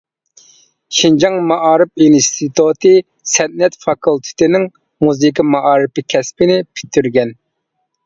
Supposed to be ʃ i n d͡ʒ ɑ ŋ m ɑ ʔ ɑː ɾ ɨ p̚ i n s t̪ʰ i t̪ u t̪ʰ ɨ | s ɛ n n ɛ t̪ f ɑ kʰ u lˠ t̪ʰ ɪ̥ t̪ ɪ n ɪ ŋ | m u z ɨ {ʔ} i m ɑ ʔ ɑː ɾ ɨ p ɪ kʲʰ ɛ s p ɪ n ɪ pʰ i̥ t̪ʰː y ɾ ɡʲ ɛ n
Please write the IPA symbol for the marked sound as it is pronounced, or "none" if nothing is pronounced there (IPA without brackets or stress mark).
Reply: k